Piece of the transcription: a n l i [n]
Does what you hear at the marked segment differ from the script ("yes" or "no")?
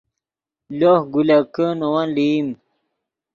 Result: yes